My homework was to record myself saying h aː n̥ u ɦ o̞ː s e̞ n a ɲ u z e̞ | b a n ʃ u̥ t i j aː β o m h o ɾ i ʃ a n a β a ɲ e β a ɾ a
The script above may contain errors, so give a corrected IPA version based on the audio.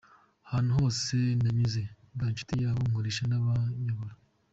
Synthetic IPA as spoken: h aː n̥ u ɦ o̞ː s e̞ n a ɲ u z e̞ | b a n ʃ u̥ t i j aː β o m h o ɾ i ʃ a n a β a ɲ a β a ɾ a